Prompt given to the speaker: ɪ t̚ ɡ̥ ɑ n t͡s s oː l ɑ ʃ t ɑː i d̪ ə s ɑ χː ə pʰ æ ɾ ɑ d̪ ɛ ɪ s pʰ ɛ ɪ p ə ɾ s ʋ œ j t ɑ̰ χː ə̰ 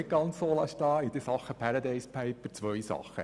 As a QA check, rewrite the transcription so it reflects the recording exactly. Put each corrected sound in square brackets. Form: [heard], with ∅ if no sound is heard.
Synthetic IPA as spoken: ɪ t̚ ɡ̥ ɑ n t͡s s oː l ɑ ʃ t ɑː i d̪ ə s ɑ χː ə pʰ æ ɾ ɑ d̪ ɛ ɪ s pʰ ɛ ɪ p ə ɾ [t͡s] ʋ œ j [s] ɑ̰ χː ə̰